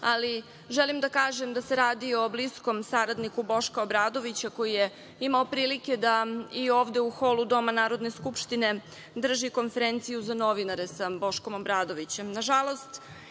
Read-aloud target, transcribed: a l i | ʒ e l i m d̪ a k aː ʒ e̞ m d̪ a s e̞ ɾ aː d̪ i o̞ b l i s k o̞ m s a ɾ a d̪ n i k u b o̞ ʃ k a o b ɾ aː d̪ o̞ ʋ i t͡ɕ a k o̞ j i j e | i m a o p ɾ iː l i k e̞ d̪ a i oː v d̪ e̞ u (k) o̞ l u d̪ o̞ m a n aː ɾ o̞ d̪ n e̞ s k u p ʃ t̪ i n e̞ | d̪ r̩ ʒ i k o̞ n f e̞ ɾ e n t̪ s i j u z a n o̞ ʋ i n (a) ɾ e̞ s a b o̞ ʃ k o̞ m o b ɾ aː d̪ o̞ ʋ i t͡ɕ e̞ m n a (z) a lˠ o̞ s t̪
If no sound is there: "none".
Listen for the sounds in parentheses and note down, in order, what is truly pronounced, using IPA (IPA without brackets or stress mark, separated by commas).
x, a, ʒ